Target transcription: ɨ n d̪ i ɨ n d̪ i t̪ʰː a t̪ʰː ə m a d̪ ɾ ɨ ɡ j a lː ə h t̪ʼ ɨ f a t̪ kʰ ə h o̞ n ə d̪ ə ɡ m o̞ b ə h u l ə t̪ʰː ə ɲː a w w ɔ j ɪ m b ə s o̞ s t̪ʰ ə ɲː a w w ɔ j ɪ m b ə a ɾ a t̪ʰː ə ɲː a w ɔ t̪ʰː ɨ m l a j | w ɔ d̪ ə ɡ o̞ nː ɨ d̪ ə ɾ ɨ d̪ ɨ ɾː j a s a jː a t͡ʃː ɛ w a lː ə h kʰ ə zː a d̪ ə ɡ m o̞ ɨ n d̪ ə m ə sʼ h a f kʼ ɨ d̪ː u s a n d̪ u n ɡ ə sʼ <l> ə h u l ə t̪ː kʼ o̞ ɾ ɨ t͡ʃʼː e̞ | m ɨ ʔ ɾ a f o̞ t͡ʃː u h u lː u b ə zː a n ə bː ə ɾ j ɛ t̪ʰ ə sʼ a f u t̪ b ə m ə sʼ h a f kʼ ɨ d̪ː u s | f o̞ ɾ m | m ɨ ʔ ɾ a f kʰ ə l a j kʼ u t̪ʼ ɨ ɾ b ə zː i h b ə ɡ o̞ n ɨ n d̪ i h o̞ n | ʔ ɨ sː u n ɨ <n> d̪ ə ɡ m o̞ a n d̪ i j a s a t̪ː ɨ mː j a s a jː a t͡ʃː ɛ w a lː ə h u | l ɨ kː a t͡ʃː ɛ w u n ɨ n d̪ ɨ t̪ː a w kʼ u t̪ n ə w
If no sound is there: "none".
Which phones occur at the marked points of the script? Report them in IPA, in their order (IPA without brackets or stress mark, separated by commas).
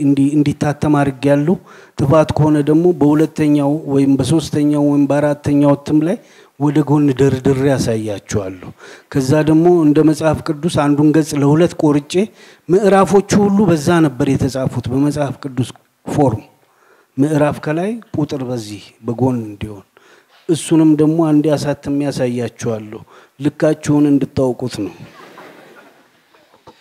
l, m